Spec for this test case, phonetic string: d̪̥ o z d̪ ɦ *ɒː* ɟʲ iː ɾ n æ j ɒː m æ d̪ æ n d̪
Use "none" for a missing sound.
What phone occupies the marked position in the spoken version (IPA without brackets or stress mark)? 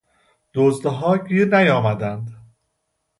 ɒː